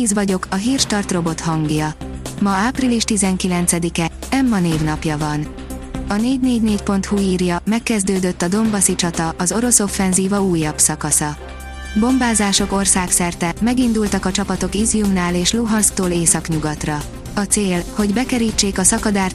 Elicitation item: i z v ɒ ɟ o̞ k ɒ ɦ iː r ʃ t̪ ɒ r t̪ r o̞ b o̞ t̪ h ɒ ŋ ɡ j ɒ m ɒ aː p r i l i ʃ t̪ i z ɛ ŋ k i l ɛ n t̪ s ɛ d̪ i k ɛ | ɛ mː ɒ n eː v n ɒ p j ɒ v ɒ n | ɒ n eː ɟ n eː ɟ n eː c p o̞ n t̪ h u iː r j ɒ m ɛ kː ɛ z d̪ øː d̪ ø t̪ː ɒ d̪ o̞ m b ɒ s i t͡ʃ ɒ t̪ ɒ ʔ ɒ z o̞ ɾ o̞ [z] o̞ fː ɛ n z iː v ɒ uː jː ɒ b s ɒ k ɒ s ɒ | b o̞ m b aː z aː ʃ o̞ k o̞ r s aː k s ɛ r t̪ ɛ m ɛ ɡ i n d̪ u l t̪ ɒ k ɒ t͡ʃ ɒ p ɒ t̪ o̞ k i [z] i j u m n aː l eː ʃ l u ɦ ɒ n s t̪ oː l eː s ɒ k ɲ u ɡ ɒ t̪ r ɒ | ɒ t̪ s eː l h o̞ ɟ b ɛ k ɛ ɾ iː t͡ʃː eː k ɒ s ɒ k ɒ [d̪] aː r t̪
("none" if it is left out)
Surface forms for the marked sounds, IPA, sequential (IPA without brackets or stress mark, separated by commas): s, z, d̪